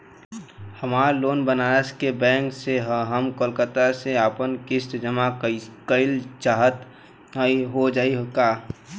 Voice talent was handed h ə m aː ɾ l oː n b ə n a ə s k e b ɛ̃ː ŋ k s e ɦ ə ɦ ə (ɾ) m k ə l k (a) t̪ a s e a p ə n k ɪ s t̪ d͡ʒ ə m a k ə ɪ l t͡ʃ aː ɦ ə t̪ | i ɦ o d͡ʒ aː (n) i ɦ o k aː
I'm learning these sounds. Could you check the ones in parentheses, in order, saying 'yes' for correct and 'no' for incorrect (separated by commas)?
no, no, no